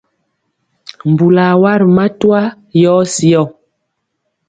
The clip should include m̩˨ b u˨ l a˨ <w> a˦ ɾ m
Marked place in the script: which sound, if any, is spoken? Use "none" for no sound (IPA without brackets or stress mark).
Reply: w